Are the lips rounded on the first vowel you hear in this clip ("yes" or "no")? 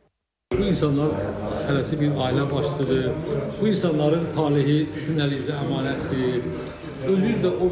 yes